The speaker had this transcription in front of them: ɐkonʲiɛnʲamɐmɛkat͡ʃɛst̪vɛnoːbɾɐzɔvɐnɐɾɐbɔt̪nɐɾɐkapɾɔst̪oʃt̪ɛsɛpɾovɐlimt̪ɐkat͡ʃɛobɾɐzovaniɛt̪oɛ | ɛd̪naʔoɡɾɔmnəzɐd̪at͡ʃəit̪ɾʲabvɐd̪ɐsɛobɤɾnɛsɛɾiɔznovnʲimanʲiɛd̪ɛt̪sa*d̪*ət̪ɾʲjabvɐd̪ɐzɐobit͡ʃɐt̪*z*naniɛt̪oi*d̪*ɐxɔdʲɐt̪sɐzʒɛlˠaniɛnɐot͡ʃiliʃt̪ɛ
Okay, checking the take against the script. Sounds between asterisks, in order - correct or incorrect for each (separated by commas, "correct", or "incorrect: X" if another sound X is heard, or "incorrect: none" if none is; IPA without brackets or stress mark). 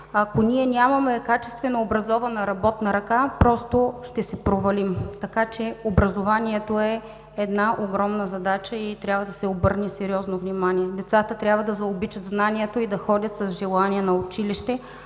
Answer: incorrect: t̪, correct, correct